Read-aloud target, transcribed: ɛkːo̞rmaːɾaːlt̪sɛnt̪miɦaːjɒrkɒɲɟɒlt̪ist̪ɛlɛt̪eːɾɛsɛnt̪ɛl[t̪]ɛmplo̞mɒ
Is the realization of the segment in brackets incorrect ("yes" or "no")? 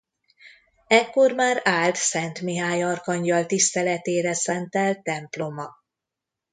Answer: no